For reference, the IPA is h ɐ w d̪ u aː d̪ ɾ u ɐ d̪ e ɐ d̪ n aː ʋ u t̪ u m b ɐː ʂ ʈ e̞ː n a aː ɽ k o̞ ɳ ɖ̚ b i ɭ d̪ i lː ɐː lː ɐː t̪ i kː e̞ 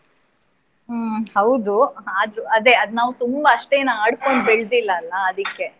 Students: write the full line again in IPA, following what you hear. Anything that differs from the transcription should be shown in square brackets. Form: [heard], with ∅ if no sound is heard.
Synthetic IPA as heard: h ɐ w d̪ u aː d̪ ɾ u ɐ d̪ e ɐ d̪ n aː ʋ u t̪ u m b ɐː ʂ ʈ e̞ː n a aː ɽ k o̞ ɳ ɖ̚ b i ɭ d̪ i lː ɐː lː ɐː [d̪] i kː e̞